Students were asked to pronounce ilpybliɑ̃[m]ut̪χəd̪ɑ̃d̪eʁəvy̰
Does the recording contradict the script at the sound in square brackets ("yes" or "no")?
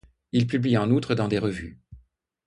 yes